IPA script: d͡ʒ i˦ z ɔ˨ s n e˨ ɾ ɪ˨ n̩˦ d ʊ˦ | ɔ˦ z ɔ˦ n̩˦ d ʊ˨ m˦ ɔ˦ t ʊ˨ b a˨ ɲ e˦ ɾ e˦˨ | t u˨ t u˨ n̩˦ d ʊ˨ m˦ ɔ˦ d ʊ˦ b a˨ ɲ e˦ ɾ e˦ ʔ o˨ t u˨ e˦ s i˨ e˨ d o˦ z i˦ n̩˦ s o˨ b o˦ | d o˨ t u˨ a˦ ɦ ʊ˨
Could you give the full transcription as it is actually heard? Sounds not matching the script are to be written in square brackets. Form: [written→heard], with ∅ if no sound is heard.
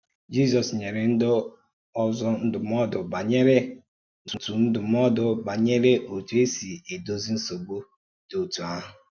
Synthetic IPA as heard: d͡ʒ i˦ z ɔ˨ s [n→ɲ] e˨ ɾ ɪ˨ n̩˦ d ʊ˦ | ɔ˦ z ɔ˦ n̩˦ d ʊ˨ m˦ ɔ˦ [t→d] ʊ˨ b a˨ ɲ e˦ ɾ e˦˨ | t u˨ t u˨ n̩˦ d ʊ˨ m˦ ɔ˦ d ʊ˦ b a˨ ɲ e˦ ɾ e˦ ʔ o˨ t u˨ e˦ s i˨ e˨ d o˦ z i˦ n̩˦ s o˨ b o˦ | d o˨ t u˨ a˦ ɦ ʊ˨

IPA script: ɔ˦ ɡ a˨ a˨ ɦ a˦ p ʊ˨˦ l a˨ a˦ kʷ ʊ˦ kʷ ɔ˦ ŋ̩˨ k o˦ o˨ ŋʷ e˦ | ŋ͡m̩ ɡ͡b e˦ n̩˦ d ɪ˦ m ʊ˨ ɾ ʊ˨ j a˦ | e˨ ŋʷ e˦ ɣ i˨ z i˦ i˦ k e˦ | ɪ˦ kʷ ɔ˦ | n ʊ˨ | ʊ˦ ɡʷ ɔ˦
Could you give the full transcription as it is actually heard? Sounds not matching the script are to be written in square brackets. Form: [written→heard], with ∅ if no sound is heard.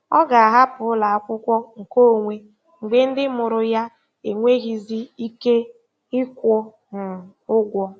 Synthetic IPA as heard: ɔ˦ ɡ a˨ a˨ ɦ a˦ p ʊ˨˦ l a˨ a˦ kʷ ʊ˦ kʷ ɔ˦ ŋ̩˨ k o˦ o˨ ŋʷ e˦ | ŋ͡m̩ ɡ͡b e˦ n̩˦ d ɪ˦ m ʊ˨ ɾ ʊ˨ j a˦ | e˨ ŋʷ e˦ ɣ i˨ z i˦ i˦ k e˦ | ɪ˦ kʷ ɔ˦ | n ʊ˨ | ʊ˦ ɡʷ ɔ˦

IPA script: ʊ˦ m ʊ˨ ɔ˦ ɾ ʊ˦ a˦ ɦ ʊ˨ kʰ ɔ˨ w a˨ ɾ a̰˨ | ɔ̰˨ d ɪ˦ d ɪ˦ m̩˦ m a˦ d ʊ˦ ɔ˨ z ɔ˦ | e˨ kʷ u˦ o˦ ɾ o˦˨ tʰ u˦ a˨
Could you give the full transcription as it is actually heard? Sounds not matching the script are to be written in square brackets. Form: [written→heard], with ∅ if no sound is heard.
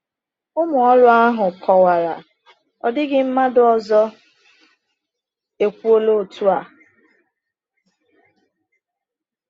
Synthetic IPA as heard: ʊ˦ m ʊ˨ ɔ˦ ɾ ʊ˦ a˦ ɦ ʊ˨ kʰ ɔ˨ w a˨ ɾ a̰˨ | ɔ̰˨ d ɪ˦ [d→ɡ] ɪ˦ m̩˦ m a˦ d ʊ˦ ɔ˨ z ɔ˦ | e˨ kʷ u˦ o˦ [ɾ→l] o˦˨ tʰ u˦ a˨

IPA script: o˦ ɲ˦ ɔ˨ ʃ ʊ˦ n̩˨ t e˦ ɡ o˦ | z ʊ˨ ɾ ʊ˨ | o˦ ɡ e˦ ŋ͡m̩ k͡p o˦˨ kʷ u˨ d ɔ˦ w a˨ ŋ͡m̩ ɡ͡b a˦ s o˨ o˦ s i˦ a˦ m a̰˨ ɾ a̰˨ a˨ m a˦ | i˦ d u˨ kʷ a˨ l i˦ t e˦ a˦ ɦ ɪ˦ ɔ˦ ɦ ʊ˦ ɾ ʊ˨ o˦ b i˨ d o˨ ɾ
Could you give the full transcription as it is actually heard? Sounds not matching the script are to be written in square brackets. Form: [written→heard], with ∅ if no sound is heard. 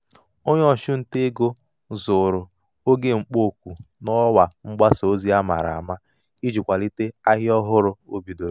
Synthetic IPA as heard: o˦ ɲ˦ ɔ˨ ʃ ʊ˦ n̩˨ t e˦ ɡ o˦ | z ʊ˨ ɾ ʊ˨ | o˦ ɡ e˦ ŋ͡m̩ k͡p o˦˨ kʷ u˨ [d→n] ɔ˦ w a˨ ŋ͡m̩ ɡ͡b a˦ s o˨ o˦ [s→z] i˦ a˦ m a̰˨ ɾ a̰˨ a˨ m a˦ | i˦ [d→d͡ʒ] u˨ kʷ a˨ l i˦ t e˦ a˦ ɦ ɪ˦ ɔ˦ ɦ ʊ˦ ɾ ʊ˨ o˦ b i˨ d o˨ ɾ

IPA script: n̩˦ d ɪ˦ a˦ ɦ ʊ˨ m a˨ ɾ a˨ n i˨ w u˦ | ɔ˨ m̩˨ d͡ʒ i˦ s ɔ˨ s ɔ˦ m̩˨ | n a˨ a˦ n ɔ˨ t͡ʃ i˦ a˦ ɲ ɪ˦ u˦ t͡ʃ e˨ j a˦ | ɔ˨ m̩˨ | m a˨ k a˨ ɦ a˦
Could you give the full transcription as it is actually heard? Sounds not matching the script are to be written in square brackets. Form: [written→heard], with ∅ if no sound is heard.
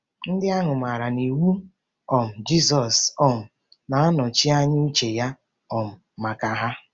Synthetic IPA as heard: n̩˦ d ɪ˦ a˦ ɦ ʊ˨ m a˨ ɾ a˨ n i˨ w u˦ | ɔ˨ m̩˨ d͡ʒ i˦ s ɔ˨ s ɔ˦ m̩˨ | n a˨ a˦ n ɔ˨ t͡ʃ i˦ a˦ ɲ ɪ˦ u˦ t͡ʃ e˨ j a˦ | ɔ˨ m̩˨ | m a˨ k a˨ ɦ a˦

